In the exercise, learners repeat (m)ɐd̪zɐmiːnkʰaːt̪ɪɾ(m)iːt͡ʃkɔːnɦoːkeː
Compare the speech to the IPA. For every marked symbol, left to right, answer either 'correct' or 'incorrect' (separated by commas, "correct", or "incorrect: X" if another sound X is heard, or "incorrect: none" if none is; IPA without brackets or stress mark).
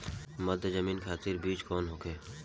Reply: correct, incorrect: b